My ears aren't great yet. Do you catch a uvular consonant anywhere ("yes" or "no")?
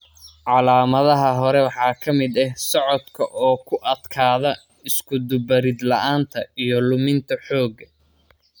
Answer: no